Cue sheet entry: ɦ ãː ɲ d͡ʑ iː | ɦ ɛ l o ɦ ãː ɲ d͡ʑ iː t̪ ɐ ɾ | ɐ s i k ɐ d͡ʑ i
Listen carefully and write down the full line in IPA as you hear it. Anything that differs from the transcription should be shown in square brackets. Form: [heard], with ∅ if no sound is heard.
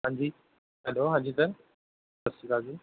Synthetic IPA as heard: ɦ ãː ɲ d͡ʑ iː | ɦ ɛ l o ɦ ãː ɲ d͡ʑ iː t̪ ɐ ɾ | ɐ s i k [a] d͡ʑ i